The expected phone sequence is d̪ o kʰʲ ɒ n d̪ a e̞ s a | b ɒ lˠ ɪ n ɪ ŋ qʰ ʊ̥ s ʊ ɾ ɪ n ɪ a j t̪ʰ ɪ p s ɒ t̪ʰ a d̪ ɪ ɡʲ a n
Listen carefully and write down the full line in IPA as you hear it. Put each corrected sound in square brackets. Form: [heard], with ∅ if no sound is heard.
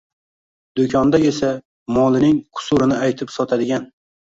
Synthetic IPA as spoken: d̪ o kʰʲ ɒ n d̪ a e̞ s a | [m] ɒ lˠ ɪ n ɪ ŋ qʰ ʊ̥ s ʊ ɾ ɪ n ɪ a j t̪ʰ ɪ p s ɒ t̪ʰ a d̪ ɪ ɡʲ a n

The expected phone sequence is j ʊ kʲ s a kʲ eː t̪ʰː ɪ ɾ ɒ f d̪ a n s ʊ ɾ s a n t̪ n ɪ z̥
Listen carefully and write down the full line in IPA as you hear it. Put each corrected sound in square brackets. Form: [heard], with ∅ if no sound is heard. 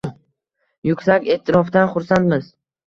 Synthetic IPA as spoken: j ʊ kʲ s a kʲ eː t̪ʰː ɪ ɾ ɒ f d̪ a n [χ] ʊ ɾ s a n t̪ [m] ɪ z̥

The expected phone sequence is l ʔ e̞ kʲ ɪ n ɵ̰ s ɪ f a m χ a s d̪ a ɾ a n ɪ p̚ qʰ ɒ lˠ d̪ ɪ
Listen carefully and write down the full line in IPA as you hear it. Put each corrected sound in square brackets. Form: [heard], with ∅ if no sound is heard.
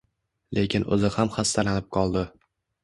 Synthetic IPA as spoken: l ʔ e̞ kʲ ɪ n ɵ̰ [z] ɪ [h] a m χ a s [t̪] a [l] a n ɪ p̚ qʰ ɒ lˠ d̪ ɪ

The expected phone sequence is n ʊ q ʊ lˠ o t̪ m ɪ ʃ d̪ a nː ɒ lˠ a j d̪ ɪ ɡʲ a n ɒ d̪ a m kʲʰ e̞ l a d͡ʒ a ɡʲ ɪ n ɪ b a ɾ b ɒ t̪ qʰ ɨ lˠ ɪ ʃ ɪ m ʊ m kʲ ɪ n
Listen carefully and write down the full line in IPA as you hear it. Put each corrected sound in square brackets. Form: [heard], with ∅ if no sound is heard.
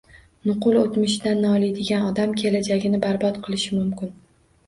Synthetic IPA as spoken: n ʊ q ʊ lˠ o t̪ m ɪ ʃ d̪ a nː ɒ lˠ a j d̪ ɪ ɡʲ a n ɒ d̪ a m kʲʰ e̞ l a d͡ʒ a ɡʲ ɪ n ɪ b a ɾ b ɒ t̪ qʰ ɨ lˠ ɪ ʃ ɪ m ʊ m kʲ ɪ n

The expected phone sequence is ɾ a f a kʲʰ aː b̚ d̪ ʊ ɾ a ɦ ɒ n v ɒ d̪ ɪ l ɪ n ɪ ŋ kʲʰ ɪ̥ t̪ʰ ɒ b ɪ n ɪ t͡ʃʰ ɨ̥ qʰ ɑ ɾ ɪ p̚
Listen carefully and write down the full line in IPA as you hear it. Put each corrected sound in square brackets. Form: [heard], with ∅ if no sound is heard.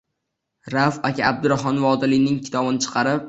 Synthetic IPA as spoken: ɾ a f a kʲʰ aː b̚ d̪ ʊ ɾ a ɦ ɒ n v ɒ d̪ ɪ l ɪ n ɪ ŋ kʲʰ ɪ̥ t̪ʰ ɒ b ɪ n ɪ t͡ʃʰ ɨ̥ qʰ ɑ ɾ ɪ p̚

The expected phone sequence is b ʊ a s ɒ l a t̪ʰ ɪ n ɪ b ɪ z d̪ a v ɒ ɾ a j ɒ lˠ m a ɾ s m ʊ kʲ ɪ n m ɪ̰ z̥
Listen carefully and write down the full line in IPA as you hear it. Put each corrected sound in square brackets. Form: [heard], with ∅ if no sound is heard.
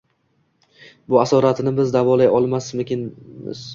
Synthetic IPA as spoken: b ʊ a s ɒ [ɾ] a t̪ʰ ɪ n ɪ b ɪ z d̪ a v ɒ [l] a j ɒ lˠ m a [∅] s m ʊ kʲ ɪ n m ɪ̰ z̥

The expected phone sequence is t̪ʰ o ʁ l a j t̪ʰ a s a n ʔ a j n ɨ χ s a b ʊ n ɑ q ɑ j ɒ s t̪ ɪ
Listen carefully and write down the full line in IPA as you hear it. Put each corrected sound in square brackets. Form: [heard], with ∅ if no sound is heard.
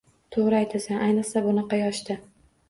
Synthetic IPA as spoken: t̪ʰ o ʁ [ɾ] a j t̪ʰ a s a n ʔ a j n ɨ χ s a b ʊ n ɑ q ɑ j ɒ [ʃ] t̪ ɪ

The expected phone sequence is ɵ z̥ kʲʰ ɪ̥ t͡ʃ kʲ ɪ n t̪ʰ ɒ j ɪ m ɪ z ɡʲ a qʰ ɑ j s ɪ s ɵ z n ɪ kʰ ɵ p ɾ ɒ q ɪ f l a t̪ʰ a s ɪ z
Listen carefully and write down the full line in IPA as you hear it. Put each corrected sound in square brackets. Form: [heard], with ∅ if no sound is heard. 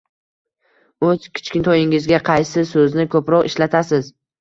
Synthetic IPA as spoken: ɵ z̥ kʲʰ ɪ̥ t͡ʃ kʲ ɪ n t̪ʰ ɒ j ɪ [ŋ] ɪ z ɡʲ a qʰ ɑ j s ɪ s ɵ z n ɪ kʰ ɵ p ɾ ɒ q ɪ [ʃ] l a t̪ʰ a s ɪ z

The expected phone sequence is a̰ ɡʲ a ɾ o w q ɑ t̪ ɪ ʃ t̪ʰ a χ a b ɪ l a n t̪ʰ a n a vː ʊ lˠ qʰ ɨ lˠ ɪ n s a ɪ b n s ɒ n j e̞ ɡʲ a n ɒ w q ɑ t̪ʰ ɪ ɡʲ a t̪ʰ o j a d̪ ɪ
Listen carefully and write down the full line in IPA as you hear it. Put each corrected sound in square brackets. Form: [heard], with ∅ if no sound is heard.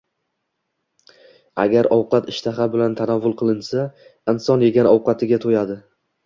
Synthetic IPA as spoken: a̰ ɡʲ a ɾ [ɒ] w q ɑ t̪ ɪ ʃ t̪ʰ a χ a b ɪ l a n t̪ʰ a n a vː ʊ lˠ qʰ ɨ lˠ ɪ n s a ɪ [∅] n s ɒ n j e̞ ɡʲ a n ɒ w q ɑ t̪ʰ ɪ ɡʲ a t̪ʰ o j a d̪ ɪ

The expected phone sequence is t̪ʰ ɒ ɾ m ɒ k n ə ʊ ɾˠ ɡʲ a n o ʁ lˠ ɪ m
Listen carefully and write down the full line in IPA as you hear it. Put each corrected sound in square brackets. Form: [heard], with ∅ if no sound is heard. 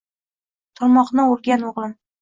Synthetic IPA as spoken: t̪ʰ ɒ ɾ m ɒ [q] n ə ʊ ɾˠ ɡʲ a n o ʁ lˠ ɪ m

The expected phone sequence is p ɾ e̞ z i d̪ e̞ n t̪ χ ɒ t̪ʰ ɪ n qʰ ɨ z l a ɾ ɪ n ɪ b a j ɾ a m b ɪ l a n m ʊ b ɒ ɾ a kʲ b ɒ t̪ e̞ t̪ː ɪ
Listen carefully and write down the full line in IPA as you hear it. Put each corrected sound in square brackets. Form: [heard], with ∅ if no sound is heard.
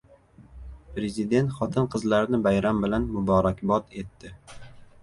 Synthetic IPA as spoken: p ɾ e̞ z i d̪ e̞ n t̪ χ ɒ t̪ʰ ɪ n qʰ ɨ z l a ɾ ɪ n ɪ b a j ɾ a m b ɪ l a n m ʊ b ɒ ɾ a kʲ b ɒ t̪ e̞ t̪ː ɪ

